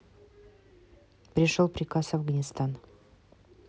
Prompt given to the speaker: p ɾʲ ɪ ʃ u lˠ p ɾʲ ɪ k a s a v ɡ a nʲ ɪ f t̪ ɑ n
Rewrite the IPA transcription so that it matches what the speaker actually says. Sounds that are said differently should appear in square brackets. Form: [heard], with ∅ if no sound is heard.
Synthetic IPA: p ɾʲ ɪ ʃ [o] lˠ p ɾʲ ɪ k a s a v ɡ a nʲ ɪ [s] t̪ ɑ n